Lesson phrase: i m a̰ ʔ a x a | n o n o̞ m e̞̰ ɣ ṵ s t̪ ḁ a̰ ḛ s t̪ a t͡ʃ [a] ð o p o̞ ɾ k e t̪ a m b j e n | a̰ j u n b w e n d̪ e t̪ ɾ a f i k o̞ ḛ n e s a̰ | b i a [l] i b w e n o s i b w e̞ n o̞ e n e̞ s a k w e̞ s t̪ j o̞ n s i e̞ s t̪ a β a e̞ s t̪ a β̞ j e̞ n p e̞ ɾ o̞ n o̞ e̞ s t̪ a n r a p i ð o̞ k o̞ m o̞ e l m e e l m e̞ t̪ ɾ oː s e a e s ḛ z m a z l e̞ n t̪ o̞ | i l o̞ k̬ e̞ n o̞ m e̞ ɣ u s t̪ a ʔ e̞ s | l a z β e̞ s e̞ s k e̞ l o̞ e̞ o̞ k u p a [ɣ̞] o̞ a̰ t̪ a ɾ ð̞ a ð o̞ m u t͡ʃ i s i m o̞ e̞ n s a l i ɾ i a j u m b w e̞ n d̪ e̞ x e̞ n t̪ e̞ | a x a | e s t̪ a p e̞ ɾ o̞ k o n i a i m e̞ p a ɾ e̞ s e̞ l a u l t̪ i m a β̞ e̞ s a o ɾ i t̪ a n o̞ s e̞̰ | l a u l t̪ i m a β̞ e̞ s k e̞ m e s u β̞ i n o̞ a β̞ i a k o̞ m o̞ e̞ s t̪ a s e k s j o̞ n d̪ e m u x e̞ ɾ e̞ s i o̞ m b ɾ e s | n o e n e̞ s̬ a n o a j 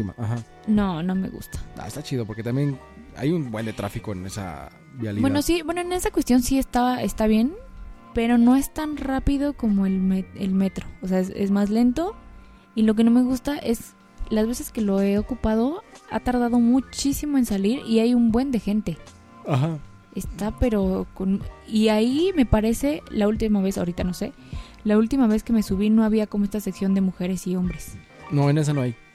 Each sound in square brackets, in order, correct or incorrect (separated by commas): incorrect, correct, incorrect